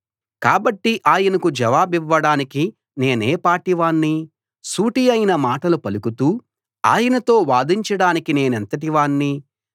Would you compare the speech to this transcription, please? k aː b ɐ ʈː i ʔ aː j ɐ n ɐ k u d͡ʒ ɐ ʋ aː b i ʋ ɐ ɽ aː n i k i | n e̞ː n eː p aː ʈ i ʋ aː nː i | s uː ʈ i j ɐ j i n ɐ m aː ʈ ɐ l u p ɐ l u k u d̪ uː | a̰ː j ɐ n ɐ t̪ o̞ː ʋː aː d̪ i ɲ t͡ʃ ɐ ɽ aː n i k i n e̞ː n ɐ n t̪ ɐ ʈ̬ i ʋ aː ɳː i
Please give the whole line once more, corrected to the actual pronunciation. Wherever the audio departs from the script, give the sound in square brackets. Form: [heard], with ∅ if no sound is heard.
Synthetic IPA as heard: k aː b ɐ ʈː i ʔ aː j ɐ n ɐ k u d͡ʒ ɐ ʋ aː b i [ʋː] ɐ ɽ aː n i k i | n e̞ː n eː p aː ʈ i ʋ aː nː i | s uː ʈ i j ɐ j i n ɐ m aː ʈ ɐ l u p ɐ l u k u [t̪] uː | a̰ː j ɐ n ɐ t̪ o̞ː [ʋ] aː d̪ i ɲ t͡ʃ ɐ ɽ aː n i k i n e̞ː n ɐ n t̪ ɐ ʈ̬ i ʋ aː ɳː i